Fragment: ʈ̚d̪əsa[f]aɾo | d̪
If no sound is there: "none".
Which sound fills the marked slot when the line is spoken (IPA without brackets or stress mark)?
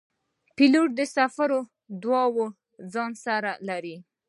f